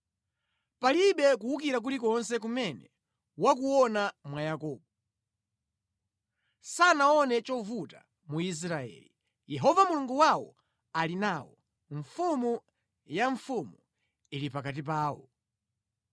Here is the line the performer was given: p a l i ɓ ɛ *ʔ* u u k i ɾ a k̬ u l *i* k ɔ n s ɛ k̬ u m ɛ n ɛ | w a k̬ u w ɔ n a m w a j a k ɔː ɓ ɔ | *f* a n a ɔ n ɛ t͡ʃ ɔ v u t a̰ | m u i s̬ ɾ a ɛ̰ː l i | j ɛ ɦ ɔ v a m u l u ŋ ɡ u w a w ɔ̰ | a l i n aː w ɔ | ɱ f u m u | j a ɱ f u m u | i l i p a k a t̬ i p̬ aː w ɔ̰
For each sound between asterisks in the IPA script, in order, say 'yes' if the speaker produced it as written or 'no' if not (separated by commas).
no, yes, no